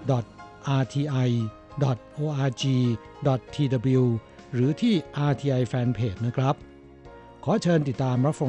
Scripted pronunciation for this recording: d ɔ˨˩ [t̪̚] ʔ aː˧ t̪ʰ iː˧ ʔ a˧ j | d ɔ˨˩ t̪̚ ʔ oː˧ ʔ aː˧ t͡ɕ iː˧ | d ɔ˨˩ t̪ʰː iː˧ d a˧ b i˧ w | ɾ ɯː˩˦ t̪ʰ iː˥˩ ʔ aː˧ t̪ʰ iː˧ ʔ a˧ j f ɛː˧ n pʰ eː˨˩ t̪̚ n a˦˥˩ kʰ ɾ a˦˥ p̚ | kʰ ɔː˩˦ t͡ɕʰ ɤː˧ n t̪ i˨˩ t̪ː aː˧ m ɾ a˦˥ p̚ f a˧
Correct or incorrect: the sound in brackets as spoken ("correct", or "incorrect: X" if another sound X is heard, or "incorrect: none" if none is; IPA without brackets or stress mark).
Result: correct